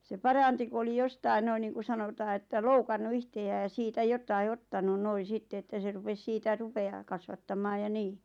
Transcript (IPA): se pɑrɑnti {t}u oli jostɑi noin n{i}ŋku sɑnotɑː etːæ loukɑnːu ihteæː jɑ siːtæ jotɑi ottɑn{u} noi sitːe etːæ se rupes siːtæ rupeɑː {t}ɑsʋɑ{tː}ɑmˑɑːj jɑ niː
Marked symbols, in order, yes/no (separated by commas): no, no, yes, no, yes